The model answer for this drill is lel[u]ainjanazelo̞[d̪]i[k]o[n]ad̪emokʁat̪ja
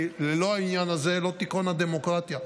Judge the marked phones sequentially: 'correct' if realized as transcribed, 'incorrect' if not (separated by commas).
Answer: incorrect, incorrect, correct, correct